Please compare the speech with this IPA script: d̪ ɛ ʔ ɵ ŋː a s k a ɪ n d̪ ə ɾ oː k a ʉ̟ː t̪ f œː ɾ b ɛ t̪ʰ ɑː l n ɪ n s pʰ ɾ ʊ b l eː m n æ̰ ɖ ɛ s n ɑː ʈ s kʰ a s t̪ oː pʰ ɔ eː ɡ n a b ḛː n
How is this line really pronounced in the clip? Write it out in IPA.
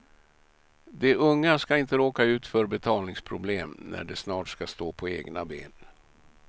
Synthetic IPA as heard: d̪ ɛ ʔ ɵ ŋː a s k a ɪ n t̪ ə ɾ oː k a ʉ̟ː t̪ f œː ɾ b ɛ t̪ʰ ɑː l n ɪ ŋ s pʰ ɾ ʊ b l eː m n æ̰ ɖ ɛ s n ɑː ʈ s k a s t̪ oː pʰ ɔ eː ɡ n a b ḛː n